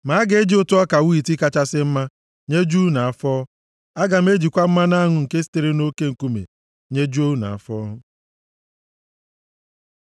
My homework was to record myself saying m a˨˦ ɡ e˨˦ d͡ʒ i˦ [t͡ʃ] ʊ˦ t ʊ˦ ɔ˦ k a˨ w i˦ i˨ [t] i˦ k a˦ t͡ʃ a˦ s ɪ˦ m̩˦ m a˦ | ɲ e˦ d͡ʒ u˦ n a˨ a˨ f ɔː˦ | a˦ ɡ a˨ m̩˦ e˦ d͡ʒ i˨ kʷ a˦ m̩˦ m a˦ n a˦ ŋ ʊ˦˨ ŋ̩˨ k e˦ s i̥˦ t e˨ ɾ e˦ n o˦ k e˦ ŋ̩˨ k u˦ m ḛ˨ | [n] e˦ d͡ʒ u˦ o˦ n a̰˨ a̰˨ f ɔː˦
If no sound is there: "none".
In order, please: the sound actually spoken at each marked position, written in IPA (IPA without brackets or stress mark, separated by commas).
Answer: none, t, ɲ